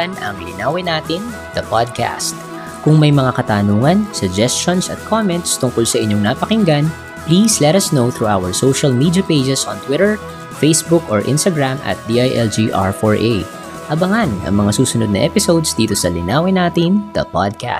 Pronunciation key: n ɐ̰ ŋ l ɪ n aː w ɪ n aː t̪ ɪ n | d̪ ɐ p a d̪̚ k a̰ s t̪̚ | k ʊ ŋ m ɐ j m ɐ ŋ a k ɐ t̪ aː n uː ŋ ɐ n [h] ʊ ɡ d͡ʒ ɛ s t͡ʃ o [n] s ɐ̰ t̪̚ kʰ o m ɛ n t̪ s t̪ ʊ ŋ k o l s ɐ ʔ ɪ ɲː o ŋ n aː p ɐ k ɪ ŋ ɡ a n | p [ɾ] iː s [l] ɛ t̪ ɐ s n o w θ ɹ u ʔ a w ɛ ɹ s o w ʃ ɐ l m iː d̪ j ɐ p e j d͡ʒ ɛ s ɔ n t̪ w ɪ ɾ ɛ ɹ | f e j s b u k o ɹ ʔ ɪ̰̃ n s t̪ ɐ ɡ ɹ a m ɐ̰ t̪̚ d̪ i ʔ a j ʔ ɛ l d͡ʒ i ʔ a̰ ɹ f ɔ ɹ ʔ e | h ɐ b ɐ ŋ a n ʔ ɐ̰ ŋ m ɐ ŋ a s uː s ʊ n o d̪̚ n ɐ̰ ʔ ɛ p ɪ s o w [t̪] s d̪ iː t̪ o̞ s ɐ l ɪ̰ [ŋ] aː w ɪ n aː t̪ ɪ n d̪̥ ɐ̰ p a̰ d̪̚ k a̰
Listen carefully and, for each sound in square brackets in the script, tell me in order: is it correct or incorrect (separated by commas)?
incorrect, correct, incorrect, correct, incorrect, incorrect